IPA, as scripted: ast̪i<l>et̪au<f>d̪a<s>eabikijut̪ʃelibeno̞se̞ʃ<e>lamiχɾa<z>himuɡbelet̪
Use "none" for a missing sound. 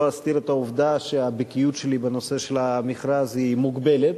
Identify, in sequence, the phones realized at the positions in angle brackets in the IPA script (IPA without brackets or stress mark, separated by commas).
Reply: ɾ, v, ʃ, e, z